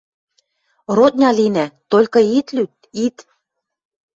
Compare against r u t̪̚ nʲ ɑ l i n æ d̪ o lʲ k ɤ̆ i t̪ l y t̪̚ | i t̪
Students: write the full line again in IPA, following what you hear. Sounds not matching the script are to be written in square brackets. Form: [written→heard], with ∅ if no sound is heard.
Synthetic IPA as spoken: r [u→o] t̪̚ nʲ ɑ l i n æ [d̪→t̪] o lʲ k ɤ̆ i t̪ l y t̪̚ | i t̪